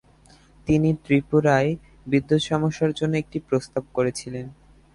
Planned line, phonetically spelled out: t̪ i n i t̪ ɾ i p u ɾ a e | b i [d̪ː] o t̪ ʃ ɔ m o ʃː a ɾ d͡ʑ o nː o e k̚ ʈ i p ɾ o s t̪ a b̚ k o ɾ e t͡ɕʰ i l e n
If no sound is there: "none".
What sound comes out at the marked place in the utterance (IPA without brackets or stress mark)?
d̪ː